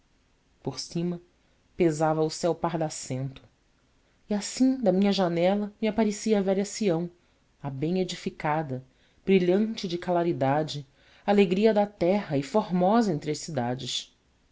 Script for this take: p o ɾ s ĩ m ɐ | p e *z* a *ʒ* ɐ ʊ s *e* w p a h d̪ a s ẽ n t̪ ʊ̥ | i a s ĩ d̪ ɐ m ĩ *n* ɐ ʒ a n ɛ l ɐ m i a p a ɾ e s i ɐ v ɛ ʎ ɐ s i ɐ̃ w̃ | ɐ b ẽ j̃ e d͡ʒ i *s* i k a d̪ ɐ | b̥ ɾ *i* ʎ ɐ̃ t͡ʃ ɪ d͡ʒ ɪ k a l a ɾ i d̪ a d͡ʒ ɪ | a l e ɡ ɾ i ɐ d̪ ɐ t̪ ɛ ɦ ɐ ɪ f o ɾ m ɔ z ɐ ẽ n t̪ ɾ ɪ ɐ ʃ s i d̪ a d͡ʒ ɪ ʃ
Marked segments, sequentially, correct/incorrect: correct, incorrect, incorrect, incorrect, incorrect, correct

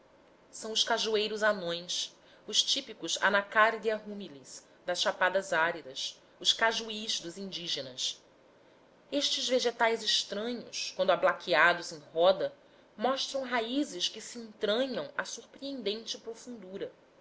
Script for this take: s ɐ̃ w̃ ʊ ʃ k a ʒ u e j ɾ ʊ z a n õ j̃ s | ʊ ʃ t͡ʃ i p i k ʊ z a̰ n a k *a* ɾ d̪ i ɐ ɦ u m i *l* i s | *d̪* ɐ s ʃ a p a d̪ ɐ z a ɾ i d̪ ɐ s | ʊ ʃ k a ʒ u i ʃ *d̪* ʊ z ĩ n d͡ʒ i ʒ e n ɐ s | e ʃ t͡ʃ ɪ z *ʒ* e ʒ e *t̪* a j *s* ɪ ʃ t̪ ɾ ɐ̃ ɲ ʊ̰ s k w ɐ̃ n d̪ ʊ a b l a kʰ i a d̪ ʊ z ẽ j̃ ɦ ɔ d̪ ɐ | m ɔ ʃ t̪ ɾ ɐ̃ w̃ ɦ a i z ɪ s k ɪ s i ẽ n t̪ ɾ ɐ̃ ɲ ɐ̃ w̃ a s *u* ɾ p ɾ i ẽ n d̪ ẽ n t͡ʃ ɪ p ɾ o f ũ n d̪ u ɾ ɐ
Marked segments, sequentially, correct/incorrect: correct, correct, correct, correct, incorrect, correct, incorrect, correct

